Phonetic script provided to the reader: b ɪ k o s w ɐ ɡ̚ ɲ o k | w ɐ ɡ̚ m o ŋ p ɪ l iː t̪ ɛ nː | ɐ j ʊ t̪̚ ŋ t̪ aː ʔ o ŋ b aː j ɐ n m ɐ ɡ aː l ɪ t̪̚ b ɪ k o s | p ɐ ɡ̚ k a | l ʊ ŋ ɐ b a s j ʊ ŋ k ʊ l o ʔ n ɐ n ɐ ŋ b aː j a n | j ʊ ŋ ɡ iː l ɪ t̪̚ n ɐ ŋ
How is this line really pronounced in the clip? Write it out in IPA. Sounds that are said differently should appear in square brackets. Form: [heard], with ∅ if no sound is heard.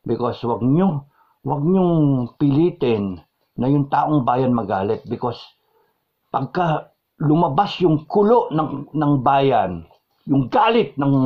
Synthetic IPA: b ɪ k o s w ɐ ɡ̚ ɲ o [∅] | w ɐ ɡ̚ [ɲ] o ŋ p ɪ l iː t̪ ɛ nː | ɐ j ʊ [∅] ŋ t̪ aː ʔ o ŋ b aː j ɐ n m ɐ ɡ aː l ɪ t̪̚ b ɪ k o s | p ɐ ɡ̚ k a | l ʊ [m] ɐ b a s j ʊ ŋ k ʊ l o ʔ n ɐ n ɐ ŋ b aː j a n | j ʊ ŋ ɡ [aː] l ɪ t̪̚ n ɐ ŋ